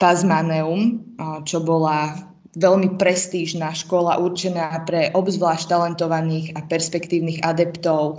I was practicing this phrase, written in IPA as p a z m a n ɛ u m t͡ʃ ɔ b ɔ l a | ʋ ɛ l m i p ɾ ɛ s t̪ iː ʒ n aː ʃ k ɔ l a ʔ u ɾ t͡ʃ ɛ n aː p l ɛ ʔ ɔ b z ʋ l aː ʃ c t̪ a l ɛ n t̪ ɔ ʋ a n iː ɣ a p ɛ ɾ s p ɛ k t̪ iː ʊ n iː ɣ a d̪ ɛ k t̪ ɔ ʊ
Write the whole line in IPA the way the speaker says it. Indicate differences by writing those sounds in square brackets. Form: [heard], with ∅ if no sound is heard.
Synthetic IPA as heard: p a z m a n ɛ u m t͡ʃ ɔ b ɔ l a | ʋ ɛ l m i p ɾ ɛ s t̪ iː ʒ n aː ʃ k ɔ l a ʔ u ɾ t͡ʃ ɛ n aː p [ɾ] ɛ ʔ ɔ b z ʋ l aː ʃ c t̪ a l ɛ n t̪ ɔ ʋ a n iː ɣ a p ɛ ɾ s p ɛ k t̪ iː ʊ n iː ɣ a d̪ ɛ [p] t̪ ɔ ʊ